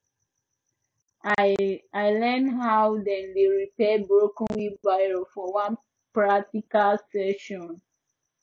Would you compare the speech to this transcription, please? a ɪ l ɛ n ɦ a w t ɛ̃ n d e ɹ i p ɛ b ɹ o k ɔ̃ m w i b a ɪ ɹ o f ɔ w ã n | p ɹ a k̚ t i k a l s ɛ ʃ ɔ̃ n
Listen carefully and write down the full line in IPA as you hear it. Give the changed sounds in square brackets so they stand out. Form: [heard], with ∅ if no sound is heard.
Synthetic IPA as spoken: a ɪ l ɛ n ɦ a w [d] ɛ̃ n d e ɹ i p ɛ b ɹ o k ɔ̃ [n] w i b a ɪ ɹ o f ɔ w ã n | p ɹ a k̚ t i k a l s ɛ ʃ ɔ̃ n